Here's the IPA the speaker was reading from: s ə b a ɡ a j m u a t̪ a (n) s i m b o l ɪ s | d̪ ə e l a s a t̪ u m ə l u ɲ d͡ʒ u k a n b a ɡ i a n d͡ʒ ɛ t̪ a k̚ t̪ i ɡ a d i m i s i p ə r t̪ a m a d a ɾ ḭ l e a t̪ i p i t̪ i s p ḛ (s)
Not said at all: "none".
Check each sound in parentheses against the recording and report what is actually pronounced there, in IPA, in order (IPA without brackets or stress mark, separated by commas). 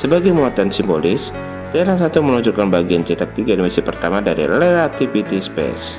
n, s